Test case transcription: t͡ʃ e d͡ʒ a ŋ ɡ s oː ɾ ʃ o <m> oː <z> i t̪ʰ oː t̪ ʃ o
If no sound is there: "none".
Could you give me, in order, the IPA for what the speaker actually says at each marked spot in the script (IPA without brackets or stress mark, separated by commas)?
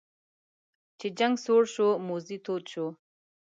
m, z